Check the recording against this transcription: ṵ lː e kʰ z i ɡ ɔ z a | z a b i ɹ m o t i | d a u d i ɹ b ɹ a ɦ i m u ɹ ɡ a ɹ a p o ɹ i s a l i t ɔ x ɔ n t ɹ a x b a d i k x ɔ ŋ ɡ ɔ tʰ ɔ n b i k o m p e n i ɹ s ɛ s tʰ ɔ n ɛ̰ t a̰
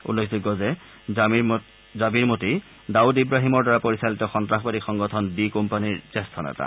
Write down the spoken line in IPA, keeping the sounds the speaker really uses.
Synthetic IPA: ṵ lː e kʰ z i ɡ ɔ z ɛ | z a b i ɹ m o t i | d a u d i b ɹ a ɦ i m ɔ ɹ d a ɹ a p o ɹ i s a l i t ɔ x ɔ n t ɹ a x b a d i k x ɔ ŋ ɡ ɔ tʰ ɔ n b i k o m p a n i ɹ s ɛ s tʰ ɔ n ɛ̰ t a̰